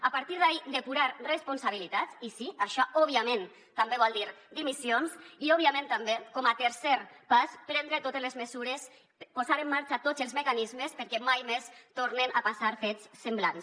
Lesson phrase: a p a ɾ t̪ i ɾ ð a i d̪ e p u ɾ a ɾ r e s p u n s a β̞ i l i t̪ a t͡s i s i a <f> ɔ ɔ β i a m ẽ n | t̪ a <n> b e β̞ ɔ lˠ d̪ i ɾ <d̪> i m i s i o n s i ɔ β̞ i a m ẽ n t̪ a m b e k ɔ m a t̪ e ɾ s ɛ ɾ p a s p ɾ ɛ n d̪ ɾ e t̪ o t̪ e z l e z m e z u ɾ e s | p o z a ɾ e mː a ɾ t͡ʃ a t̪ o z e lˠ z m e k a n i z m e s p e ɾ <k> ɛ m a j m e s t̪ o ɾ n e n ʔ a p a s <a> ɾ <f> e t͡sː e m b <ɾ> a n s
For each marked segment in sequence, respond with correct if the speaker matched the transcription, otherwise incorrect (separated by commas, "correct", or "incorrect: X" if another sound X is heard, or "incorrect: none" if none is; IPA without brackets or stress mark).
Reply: incorrect: ʃ, incorrect: m, correct, correct, correct, correct, incorrect: l